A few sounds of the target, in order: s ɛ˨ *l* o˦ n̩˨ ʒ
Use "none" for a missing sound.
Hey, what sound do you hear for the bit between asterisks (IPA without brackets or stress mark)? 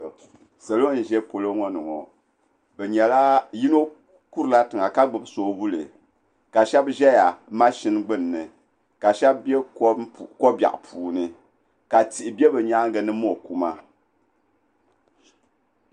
l